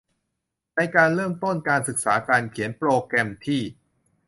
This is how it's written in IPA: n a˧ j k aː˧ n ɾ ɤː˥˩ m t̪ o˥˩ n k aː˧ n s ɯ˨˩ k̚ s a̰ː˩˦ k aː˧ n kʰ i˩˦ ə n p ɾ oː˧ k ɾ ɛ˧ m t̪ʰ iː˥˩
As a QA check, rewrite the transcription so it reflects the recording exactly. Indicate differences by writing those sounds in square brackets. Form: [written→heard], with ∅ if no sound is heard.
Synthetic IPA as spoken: n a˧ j k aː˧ n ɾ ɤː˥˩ m t̪ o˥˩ n k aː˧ n s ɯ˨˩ k̚ s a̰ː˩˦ k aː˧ n kʰ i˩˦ ə n p ɾ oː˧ k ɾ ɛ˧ m t̪ʰ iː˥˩